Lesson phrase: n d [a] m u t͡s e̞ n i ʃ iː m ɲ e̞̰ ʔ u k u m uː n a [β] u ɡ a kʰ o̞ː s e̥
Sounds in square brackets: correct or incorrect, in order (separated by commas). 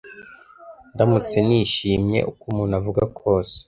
correct, incorrect